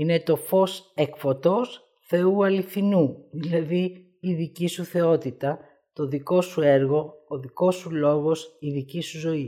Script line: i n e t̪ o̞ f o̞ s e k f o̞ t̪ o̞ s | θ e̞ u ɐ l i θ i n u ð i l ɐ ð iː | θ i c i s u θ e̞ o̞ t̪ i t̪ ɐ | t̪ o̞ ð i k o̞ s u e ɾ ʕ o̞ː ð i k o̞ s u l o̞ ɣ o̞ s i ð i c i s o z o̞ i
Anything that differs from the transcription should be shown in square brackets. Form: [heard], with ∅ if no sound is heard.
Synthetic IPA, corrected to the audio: i n e t̪ o̞ f o̞ s e k f o̞ t̪ o̞ s | θ e̞ u ɐ l i θ i n u ð i l ɐ ð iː | [ð] i c i s u θ e̞ o̞ t̪ i t̪ ɐ | t̪ o̞ ð i k o̞ s u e ɾ [ɣ] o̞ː ð i k o̞ s u l o̞ ɣ o̞ s i ð i c i s [u] z o̞ i